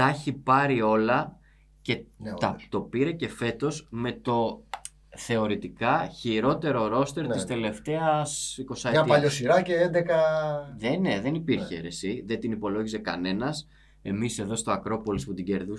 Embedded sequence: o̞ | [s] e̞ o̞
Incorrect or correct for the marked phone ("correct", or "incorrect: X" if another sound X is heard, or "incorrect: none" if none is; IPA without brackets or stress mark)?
incorrect: θ